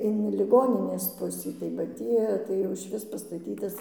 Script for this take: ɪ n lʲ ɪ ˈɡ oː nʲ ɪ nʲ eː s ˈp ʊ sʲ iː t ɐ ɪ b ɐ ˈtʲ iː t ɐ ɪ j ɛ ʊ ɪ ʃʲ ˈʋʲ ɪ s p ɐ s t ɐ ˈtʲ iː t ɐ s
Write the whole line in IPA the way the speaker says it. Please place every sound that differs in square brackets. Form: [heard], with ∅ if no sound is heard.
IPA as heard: ɪ n lʲ ɪ ˈɡ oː nʲ ɪ nʲ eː s ˈp ʊ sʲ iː t ɐ ɪ b ɐ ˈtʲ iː t ɐ ɪ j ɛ ʊ ɪ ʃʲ ˈʋʲ ɪ s p ɐ s t ɐ ˈtʲ iː t ɐ s